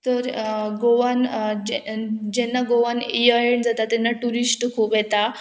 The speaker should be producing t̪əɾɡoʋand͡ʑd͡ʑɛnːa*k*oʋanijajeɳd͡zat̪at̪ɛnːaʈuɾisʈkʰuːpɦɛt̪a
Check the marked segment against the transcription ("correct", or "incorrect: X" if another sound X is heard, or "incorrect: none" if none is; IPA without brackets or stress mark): incorrect: ɡ